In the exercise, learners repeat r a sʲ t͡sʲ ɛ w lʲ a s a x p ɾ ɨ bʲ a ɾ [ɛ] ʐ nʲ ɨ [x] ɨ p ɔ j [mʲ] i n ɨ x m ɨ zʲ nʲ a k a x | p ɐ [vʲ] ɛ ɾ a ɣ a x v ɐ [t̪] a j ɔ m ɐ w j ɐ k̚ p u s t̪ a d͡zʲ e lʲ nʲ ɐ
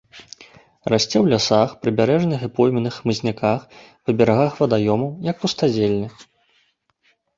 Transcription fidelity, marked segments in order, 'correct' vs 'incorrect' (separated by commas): correct, correct, correct, incorrect, incorrect